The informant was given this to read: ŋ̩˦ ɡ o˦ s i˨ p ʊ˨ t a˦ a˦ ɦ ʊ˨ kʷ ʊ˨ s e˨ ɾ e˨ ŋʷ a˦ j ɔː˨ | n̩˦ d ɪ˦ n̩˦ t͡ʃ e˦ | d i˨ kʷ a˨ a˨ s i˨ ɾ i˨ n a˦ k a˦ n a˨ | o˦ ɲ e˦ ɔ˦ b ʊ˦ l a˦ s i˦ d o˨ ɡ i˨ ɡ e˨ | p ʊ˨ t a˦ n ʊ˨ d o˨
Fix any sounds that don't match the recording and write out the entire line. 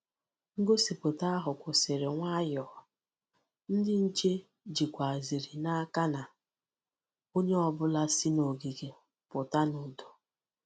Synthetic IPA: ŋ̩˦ ɡ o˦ s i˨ p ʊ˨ t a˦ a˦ ɦ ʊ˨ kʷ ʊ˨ s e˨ ɾ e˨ ŋʷ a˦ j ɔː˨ | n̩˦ d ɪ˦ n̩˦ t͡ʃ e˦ | d͡ʒ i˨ kʷ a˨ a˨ z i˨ ɾ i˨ n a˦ k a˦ n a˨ | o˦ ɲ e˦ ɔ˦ b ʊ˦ l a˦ s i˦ n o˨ ɡ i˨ ɡ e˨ | p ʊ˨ t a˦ n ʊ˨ d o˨